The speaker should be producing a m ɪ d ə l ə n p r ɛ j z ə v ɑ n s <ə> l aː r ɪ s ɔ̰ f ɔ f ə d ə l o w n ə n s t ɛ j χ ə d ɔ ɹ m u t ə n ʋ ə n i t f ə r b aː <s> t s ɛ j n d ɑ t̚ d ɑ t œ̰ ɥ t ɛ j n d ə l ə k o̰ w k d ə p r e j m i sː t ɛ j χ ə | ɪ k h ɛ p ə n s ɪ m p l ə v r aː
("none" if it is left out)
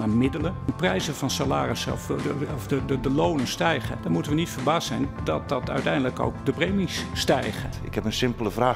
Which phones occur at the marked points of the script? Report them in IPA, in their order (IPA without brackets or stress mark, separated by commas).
a, s